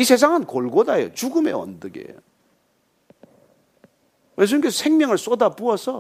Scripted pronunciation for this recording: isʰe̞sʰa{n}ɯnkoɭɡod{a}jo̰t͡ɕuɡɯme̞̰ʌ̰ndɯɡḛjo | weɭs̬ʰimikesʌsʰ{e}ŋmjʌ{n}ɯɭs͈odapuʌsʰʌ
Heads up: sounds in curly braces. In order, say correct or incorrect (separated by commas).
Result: incorrect, correct, correct, incorrect